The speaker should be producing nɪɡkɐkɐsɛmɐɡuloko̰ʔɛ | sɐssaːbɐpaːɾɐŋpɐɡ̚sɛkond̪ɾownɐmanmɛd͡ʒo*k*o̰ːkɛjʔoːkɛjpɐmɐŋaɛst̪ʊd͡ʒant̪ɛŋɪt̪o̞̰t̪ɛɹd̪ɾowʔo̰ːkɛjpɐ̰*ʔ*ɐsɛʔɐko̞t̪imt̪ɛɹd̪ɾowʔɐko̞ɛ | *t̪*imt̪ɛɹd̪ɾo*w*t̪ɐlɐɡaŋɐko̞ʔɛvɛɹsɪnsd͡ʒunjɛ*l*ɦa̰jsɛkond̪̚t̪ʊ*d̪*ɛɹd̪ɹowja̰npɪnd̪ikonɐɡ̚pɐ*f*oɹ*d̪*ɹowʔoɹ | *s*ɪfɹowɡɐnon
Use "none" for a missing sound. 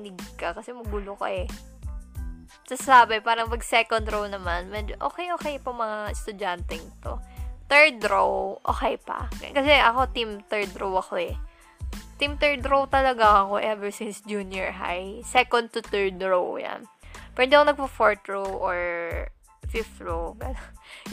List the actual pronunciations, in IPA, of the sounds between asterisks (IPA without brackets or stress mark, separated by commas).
ʔ, k, t̪, w, ɹ, t̪, f, t̪, f